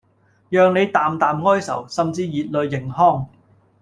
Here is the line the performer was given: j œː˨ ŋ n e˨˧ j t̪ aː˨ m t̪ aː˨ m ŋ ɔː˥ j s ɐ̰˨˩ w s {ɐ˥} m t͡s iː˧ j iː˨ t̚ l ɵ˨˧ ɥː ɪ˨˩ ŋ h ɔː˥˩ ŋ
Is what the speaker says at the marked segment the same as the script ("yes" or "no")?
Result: no